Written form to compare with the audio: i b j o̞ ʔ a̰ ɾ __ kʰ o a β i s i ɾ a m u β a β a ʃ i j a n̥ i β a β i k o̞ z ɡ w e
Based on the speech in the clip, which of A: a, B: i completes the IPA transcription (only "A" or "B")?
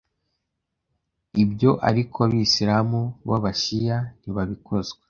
B